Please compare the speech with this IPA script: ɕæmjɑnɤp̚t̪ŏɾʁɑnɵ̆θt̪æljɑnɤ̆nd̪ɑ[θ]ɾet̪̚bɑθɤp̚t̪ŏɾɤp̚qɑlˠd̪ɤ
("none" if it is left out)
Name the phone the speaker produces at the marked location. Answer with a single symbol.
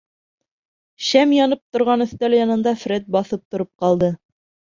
f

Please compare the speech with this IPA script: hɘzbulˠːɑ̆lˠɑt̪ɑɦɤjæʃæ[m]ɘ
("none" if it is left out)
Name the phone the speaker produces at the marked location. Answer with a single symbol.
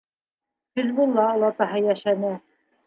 n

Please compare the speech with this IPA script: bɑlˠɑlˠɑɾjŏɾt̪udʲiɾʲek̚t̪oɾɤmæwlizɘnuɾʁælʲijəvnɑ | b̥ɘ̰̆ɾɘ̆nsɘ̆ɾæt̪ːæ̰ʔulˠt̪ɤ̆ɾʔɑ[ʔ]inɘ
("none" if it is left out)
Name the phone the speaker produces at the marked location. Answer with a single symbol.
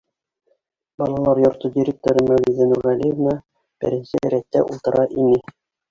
ʔ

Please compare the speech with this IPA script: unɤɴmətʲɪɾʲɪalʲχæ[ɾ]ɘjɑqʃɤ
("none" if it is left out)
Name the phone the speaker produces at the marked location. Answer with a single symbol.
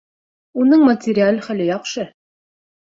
l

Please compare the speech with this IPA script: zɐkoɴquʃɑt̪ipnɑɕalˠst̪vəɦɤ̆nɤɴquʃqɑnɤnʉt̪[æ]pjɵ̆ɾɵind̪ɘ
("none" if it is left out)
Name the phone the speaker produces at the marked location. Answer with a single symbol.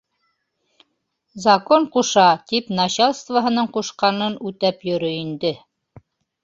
æ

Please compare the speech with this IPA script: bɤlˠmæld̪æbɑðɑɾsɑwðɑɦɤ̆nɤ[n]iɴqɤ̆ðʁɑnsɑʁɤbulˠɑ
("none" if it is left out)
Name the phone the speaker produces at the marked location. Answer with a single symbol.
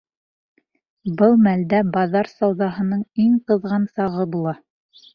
ɴ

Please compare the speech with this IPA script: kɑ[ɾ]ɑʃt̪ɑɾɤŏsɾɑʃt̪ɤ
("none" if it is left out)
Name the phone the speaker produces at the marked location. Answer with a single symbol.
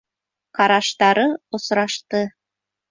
ɾ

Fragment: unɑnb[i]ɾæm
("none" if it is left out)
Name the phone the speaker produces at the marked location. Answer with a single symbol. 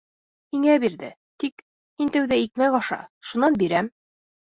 i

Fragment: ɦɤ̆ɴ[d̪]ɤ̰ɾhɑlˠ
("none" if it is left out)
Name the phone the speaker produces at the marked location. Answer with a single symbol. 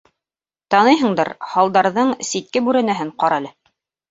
d̪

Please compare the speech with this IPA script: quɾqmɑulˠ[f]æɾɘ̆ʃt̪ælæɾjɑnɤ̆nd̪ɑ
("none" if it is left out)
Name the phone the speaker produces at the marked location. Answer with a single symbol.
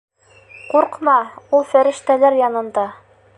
f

